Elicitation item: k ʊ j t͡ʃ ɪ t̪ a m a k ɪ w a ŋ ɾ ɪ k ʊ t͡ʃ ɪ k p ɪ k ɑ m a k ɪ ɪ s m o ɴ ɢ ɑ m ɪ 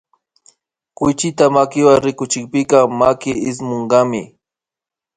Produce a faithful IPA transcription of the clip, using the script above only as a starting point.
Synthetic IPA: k ʊ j t͡ʃ ɪ t̪ a m a k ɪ w a ŋ ɾ ɪ k ʊ t͡ʃ ɪ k p ɪ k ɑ m a k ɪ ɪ s m o ɴ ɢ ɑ m ɪ